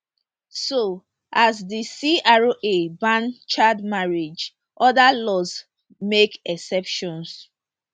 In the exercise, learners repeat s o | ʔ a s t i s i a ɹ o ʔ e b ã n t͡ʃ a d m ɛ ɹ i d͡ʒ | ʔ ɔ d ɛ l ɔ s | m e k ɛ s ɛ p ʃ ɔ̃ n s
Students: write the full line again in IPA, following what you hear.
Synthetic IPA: s o | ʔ a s d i s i a ɹ o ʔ e b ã n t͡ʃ a d m a ɹ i d͡ʒ | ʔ ɔ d a l ɔ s | m e k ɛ s ɛ p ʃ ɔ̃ n s